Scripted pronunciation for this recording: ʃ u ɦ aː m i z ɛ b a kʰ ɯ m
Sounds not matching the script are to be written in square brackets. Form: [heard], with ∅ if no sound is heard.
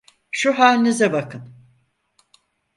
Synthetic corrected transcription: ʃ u ɦ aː [n] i z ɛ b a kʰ ɯ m